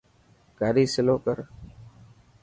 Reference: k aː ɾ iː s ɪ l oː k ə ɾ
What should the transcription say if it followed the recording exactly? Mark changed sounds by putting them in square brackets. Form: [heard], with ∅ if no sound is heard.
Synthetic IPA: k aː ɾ iː s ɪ l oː k ə ɾ